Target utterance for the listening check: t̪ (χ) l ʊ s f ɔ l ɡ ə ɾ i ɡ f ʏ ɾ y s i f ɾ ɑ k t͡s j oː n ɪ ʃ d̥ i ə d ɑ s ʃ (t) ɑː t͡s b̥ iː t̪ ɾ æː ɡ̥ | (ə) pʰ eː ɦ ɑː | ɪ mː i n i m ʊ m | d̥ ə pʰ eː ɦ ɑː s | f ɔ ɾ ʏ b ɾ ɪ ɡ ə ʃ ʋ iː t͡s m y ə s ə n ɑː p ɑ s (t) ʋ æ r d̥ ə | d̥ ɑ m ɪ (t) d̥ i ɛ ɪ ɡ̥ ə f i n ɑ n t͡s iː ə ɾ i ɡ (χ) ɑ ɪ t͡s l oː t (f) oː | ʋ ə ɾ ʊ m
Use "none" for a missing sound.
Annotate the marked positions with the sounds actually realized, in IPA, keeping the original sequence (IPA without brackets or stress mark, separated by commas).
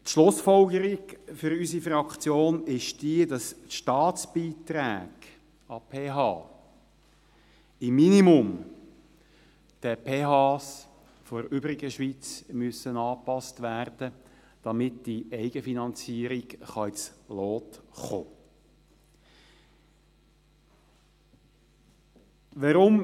ʃ, t, ɑ, t, t, χ, χ